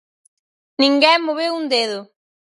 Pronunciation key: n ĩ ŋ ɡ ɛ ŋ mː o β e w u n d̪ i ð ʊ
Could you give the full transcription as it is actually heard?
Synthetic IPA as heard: n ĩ ŋ ɡ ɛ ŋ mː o β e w u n d̪ e ð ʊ

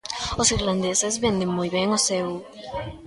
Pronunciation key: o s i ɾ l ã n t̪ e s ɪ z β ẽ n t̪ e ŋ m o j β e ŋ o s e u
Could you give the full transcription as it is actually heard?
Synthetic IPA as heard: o s i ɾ l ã n d̪ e s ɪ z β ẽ n d̪ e ŋ m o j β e ŋ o s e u

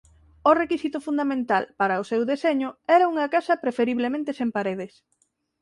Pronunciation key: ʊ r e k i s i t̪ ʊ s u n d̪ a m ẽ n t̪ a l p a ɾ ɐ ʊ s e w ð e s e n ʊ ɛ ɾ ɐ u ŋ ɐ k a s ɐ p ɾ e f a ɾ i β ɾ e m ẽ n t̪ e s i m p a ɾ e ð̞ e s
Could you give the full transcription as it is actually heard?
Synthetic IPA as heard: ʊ r e k i s i t̪ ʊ f u n d̪ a m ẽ n t̪ a l p a ɾ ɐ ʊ s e w ð e s e ɲ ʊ ɛ ɾ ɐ u ŋ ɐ k a s ɐ p ɾ e f e ɾ i β l e m ẽ n t̪ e s e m p a ɾ e ð̞ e s

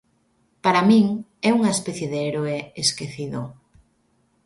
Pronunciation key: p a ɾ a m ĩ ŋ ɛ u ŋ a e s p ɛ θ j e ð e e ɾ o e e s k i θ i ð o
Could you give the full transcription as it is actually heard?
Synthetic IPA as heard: p a ɾ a m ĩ ŋ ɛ u ŋ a e s p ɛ θ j e ð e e ɾ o e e s k e θ i ð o

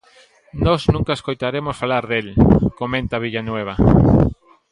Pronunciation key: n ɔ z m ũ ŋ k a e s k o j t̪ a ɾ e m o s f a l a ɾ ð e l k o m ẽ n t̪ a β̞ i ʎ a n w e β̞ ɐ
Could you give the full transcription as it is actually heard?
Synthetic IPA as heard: n ɔ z n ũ ŋ k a e s k o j t̪ a ɾ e m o s f a l a ɾ ð e l k o m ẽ n t̪ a β̞ i ʎ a n w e β̞ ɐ

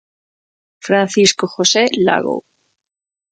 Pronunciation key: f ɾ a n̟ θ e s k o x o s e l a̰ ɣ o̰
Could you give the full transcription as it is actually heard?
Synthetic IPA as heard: f ɾ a n̟ θ i s k o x o s e l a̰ ɣ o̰

